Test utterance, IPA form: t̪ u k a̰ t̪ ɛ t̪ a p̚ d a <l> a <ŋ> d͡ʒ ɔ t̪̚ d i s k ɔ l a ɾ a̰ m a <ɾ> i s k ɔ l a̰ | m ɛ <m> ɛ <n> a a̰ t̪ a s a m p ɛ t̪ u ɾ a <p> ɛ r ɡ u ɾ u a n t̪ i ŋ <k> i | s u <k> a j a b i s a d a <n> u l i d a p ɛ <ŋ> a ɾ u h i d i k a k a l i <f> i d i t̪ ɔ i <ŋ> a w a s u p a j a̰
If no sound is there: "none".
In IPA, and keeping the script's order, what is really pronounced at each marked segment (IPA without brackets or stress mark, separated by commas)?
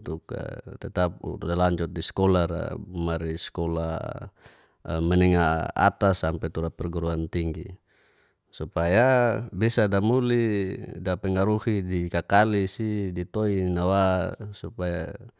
l, ɲ, ɾ, n, ŋ, p, ɡ, p, m, ŋ, s, n